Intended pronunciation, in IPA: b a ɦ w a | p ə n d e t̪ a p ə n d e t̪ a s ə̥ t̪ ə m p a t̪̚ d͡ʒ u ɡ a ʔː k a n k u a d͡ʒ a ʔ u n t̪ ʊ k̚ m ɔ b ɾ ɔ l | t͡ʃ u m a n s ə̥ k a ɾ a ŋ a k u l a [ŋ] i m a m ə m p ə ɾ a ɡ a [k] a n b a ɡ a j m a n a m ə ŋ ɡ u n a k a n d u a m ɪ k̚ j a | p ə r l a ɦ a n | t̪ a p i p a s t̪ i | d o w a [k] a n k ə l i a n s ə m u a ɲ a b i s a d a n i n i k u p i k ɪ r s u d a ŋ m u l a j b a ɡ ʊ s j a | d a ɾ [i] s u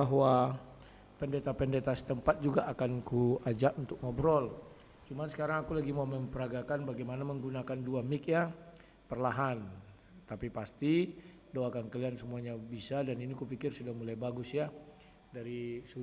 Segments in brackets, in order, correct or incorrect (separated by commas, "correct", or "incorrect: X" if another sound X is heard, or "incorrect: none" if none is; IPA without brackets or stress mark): incorrect: ɡ, correct, correct, correct